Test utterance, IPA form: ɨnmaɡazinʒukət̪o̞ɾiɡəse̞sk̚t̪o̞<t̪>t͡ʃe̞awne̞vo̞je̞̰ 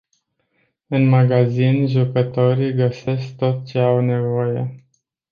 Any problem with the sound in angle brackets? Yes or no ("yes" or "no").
no